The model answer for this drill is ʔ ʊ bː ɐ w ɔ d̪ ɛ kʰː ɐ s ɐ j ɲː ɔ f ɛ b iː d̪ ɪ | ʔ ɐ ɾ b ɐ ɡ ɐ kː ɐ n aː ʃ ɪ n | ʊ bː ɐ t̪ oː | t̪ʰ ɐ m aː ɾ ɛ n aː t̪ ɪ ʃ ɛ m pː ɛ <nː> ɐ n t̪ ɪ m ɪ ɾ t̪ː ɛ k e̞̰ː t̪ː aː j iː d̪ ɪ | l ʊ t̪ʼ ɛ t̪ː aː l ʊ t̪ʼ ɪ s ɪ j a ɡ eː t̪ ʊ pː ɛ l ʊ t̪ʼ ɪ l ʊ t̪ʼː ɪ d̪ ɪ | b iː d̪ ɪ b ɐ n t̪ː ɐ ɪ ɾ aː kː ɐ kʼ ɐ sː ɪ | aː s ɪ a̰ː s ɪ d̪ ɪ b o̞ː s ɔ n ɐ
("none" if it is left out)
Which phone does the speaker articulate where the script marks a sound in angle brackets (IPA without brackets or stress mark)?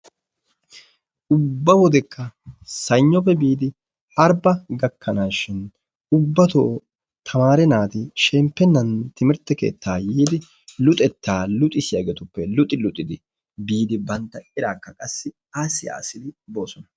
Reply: nː